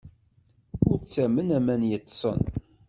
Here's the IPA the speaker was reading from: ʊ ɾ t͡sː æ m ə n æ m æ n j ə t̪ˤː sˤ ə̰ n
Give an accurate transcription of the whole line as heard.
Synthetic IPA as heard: ʊ ɾ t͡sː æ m ə n æ m æ n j ə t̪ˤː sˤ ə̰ n